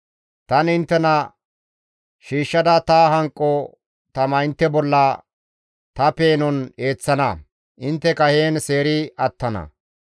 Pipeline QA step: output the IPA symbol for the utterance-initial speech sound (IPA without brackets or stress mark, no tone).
t̪